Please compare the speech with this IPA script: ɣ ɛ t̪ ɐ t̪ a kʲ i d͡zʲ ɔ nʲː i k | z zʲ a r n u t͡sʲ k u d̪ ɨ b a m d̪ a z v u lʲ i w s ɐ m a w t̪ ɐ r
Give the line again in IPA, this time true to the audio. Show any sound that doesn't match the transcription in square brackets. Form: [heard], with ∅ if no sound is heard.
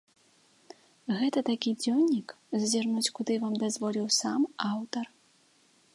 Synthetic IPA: ɣ ɛ t̪ ɐ t̪ a kʲ i d͡zʲ ɔ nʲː i k | z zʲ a r n u t͡sʲ k u d̪ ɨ [v] a m d̪ a z v [ɔ] lʲ i w s [a] m a w t̪ ɐ r